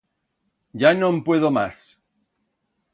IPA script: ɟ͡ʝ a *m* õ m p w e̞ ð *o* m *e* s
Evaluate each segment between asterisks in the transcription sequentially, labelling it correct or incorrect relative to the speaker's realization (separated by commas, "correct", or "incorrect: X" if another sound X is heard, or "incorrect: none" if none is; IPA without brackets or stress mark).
incorrect: n, correct, incorrect: a